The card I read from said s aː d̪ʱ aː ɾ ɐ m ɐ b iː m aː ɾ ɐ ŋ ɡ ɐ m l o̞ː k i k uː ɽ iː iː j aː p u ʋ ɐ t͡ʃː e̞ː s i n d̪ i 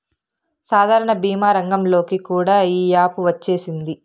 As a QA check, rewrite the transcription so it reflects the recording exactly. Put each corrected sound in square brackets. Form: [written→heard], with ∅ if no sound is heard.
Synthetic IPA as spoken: s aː d̪ʱ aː ɾ ɐ [m→ɳ] ɐ b iː m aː ɾ ɐ ŋ ɡ ɐ m l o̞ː k i k uː ɽ [iː→aː] iː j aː p u ʋ ɐ t͡ʃː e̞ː s i n d̪ i

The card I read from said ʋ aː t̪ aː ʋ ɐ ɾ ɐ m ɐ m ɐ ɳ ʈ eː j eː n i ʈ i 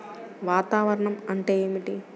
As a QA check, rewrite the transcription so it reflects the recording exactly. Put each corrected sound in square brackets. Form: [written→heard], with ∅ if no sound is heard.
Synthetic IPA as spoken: ʋ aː t̪ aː ʋ ɐ ɾ ɐ [m→ɳ] ɐ m ɐ ɳ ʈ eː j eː [n→m] i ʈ i

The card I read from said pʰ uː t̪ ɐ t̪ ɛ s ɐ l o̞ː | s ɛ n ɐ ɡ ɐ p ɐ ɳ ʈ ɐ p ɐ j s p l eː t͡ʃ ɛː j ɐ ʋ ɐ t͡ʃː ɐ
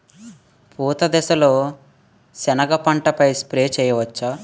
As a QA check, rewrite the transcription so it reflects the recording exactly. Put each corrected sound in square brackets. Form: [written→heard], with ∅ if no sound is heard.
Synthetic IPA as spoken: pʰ uː t̪ ɐ [t̪→d̪] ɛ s ɐ l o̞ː | s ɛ n ɐ ɡ ɐ p ɐ ɳ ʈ ɐ p ɐ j s p [l→ɾ] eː t͡ʃ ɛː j ɐ ʋ ɐ t͡ʃː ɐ

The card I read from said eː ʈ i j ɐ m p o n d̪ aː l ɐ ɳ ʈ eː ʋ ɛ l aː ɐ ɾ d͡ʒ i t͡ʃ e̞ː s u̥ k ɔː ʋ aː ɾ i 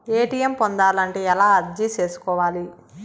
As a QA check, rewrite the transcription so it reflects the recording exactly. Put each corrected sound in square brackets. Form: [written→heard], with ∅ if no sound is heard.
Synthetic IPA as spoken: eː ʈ i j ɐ m p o n d̪ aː l ɐ ɳ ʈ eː [ʋ→∅] ɛ l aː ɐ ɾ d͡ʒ i t͡ʃ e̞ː s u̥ k ɔː ʋ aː [ɾ→l] i

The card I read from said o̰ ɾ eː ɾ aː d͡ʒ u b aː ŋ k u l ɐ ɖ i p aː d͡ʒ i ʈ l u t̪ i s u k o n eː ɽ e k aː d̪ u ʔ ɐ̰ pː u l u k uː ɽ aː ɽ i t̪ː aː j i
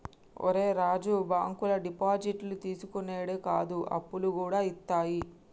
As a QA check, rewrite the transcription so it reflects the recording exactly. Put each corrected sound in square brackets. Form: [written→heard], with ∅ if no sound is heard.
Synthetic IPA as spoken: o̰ ɾ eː ɾ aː d͡ʒ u b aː ŋ k u l ɐ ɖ i p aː d͡ʒ i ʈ l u t̪ [i→iː] s u k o n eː ɽ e k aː d̪ u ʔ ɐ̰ pː u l u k uː ɽ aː [ɽ→∅] i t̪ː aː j i

